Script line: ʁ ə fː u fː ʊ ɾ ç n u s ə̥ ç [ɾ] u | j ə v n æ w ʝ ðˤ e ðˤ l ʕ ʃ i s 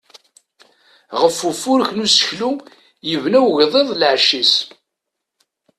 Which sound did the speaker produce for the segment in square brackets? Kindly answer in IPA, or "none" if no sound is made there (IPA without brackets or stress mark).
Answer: l